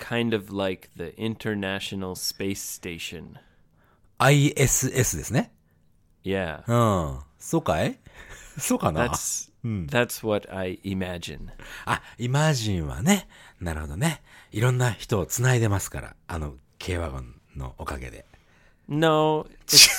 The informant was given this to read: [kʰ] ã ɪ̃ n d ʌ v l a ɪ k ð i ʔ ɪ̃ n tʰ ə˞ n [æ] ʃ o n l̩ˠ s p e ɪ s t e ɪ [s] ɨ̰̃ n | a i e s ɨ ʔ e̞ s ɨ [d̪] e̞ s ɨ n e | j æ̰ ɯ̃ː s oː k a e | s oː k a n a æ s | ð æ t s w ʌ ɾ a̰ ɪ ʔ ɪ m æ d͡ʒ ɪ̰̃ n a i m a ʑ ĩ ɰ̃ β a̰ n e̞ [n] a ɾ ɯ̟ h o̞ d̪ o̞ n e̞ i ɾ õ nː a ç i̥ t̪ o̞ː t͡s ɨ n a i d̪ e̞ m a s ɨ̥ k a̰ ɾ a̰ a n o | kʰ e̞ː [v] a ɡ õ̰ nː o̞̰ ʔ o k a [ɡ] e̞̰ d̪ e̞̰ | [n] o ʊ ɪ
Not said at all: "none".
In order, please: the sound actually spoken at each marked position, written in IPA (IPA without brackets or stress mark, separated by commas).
kʰ, æ, ʃ, d̪, n, β, ɡ, n